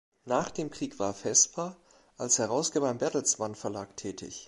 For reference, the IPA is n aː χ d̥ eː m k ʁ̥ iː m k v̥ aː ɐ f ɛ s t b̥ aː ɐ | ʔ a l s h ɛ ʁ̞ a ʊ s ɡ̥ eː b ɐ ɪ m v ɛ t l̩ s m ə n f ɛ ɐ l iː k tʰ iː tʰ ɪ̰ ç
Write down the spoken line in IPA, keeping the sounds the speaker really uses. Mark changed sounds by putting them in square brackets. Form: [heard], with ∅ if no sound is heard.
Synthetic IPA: n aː χ d̥ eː m k ʁ̥ iː [∅] k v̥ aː ɐ f ɛ s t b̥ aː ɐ | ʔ a l s h ɛ ʁ̞ a ʊ s ɡ̥ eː b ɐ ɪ m [b] ɛ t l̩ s m [a] n f ɛ ɐ l [aː] k tʰ [ɛː] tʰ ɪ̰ ç